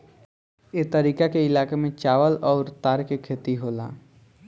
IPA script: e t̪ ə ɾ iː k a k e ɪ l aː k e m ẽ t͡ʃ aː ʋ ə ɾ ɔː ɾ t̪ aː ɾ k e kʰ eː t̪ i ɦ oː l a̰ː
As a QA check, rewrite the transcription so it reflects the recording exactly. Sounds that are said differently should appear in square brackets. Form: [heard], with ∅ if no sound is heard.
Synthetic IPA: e t̪ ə ɾ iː k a k e ɪ l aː k e m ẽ t͡ʃ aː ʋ ə [l] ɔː ɾ t̪ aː ɾ k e kʰ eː t̪ i ɦ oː l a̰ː